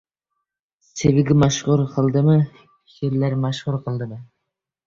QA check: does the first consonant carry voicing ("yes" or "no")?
no